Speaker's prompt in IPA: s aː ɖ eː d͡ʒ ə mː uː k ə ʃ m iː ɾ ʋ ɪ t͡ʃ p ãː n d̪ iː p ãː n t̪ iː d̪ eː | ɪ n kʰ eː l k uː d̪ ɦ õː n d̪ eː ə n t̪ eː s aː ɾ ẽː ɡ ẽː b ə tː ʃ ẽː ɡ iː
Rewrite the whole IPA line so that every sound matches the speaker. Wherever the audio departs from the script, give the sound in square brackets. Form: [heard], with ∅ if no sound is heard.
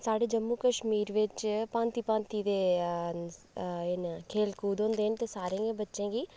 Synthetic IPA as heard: s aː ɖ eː d͡ʒ ə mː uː k ə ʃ m iː ɾ ʋ ɪ t͡ʃ p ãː n [t̪] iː p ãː n t̪ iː d̪ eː | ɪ n kʰ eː l k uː d̪ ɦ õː n d̪ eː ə n t̪ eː s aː ɾ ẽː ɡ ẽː b ə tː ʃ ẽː ɡ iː

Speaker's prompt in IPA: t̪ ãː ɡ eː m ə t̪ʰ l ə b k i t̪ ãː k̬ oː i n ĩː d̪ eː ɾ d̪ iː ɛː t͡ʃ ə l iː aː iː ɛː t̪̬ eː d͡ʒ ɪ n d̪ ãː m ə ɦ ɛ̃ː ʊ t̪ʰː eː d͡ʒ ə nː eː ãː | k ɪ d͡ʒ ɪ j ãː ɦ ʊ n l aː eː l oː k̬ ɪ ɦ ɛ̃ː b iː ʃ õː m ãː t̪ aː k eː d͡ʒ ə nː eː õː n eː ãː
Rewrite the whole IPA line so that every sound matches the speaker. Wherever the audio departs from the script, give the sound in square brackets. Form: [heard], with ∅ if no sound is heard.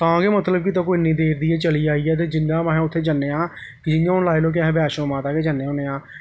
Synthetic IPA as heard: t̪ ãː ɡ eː m ə [t̪] l ə b k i t̪ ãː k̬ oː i n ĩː d̪ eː ɾ d̪ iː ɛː t͡ʃ ə l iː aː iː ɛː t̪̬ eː d͡ʒ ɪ n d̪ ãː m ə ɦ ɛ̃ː ʊ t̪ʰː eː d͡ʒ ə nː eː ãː | k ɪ d͡ʒ ɪ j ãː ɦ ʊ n l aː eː l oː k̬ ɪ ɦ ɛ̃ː b [ɛː] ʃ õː m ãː t̪ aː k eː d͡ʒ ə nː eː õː n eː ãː

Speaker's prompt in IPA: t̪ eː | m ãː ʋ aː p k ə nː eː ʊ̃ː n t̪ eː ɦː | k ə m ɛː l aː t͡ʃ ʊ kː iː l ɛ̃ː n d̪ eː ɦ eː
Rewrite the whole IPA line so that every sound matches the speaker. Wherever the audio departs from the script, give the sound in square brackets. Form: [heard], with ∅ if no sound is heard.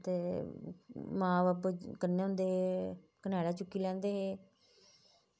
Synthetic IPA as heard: t̪ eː | m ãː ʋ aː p k ə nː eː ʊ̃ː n [d̪] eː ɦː | k ə [n] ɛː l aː t͡ʃ ʊ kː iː l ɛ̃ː n d̪ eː ɦ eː

